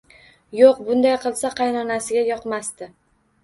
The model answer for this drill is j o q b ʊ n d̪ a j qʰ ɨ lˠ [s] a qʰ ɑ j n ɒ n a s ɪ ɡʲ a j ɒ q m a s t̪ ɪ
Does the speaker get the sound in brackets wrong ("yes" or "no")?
no